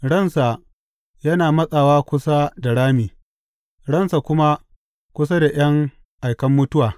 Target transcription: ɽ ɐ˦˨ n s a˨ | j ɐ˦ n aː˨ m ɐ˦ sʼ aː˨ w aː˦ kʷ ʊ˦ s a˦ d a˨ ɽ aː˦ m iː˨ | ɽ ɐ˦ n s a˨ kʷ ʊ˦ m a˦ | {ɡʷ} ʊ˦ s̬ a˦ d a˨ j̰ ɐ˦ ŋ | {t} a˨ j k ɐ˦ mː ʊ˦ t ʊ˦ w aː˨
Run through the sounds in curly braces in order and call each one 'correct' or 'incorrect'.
incorrect: kʷ, incorrect: ʔ

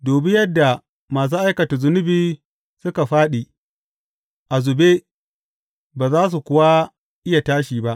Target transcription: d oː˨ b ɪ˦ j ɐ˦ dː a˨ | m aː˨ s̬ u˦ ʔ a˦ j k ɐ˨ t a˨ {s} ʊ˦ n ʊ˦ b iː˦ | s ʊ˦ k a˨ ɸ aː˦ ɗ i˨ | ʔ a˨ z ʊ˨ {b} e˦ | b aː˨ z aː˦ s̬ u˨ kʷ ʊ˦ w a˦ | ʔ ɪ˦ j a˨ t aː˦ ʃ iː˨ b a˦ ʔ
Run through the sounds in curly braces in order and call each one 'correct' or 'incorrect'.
incorrect: z, correct

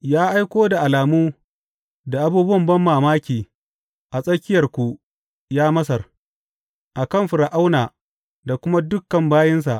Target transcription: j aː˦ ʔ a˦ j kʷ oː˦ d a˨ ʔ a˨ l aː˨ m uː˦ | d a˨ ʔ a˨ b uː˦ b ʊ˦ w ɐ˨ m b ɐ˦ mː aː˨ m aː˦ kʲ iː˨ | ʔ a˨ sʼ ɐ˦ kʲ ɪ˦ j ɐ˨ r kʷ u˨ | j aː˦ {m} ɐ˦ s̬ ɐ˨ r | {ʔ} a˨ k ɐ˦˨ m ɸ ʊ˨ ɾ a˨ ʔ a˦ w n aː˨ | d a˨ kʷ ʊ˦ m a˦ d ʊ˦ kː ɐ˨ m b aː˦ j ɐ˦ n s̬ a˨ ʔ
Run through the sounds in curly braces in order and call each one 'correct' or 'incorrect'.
correct, correct

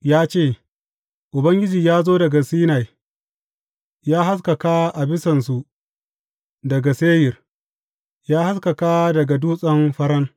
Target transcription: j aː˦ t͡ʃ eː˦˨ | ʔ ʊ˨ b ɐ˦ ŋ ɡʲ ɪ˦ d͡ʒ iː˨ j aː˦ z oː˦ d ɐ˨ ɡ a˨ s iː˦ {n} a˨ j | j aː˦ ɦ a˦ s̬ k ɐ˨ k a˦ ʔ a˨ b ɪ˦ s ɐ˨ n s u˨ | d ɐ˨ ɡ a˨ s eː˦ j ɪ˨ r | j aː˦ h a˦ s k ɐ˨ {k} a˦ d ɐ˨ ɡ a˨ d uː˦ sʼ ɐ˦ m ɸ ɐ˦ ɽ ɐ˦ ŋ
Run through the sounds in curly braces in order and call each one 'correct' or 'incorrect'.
correct, correct

